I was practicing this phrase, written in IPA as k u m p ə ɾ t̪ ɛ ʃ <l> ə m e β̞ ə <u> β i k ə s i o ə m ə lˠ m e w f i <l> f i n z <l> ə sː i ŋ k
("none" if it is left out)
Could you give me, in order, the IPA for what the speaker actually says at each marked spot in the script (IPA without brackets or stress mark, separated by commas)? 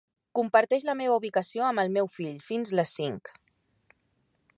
l, u, ʎ, l